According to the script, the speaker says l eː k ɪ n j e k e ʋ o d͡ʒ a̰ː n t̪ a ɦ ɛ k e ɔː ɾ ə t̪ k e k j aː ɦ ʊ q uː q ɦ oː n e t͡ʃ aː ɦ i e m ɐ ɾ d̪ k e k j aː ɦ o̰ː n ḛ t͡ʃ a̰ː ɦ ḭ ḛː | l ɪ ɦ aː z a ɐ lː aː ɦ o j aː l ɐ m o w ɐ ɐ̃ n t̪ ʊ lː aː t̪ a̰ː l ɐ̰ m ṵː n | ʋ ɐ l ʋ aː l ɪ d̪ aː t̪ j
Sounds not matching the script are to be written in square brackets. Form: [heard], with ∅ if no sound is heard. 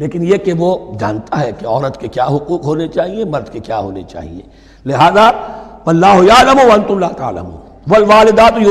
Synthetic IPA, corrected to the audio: l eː k ɪ n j e k e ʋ o d͡ʒ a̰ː n t̪ a ɦ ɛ k e ɔː ɾ ə t̪ k e k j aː ɦ ʊ q uː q ɦ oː n e t͡ʃ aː ɦ i e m ɐ ɾ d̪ k e k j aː ɦ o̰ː n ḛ t͡ʃ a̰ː ɦ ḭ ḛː | l ɪ ɦ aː z a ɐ lː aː ɦ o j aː l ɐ m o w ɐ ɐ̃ n t̪ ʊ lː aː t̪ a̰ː l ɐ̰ m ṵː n | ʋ ɐ l ʋ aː l ɪ d̪ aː t̪ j